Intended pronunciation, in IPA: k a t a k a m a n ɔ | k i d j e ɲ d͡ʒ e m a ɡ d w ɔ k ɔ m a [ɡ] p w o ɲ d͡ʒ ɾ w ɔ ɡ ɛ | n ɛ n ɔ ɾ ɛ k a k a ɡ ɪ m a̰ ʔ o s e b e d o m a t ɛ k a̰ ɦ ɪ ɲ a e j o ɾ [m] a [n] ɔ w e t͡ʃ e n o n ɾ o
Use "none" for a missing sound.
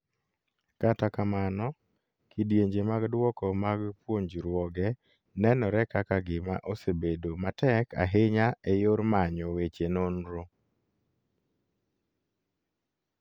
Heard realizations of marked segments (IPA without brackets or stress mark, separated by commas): ɡ, m, ɲ